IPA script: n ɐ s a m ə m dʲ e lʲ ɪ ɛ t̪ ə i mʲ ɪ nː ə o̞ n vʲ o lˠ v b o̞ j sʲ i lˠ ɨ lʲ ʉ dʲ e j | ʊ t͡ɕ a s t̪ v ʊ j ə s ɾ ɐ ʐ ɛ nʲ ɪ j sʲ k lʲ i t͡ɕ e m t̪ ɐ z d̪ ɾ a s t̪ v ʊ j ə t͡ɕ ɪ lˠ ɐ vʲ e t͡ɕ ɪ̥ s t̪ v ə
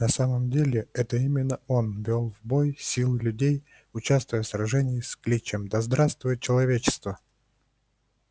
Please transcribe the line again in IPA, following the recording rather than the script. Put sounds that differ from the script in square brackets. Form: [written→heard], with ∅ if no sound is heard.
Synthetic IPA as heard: n ɐ s a m ə m dʲ e lʲ ɪ ɛ t̪ ə i mʲ ɪ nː ə o̞ n vʲ o lˠ v b o̞ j sʲ i lˠ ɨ lʲ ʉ dʲ e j | ʊ t͡ɕ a s t̪ v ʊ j ə s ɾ ɐ ʐ ɛ nʲ ɪ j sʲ k lʲ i t͡ɕ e m [t̪→d̪] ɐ z d̪ ɾ a s t̪ v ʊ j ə t͡ɕ ɪ lˠ ɐ vʲ e t͡ɕ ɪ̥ s t̪ v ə